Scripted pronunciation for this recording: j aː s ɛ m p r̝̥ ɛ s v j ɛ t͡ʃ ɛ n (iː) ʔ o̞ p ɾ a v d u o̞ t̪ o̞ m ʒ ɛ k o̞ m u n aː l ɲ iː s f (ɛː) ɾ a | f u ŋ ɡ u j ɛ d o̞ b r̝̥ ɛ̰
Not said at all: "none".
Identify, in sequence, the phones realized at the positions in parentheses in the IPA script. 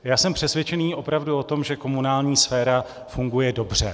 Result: iː, ɛː

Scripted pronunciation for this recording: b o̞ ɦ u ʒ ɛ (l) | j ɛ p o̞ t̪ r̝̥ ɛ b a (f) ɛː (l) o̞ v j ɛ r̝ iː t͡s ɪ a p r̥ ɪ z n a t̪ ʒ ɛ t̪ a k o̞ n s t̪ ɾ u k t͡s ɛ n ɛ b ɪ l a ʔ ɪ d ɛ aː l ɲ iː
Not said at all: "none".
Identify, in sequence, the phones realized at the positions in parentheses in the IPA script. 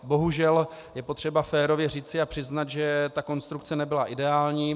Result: l, f, ɾ

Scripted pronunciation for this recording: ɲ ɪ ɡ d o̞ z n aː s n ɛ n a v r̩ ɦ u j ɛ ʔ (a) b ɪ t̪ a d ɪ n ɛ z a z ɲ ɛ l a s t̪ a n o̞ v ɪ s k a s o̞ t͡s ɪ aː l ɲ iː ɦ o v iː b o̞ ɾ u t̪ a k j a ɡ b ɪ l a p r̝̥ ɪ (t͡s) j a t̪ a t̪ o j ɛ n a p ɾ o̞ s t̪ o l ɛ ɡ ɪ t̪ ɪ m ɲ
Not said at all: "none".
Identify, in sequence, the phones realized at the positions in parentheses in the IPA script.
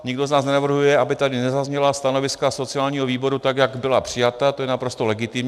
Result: a, none

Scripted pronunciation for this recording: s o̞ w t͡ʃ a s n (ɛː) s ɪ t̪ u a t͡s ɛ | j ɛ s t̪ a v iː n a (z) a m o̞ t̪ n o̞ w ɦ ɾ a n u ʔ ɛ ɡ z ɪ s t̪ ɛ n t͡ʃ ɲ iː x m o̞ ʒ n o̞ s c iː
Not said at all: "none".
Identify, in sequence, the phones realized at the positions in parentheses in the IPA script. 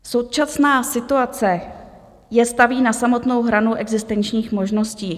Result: aː, s

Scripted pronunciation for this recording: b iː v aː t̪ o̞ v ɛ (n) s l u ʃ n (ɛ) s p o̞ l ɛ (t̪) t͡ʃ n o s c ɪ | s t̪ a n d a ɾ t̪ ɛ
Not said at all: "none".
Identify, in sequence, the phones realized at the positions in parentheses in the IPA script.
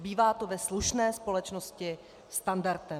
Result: none, ɛː, none

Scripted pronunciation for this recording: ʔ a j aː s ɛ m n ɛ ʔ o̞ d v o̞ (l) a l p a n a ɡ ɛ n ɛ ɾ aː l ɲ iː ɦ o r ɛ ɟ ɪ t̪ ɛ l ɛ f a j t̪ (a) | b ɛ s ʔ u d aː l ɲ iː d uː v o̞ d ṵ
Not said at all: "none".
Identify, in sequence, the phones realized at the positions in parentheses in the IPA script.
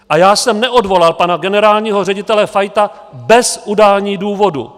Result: l, a

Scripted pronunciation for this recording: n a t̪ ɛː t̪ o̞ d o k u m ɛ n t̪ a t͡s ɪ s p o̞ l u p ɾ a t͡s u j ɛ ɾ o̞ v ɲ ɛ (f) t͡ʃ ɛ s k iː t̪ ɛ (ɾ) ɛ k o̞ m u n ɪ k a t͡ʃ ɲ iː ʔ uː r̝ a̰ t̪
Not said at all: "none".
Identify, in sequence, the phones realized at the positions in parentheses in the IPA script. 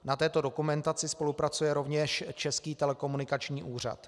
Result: ʃ, l

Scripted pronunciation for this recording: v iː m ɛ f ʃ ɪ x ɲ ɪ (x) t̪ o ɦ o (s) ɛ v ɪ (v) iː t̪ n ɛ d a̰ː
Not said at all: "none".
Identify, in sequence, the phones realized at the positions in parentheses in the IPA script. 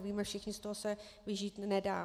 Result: s, s, ʒ

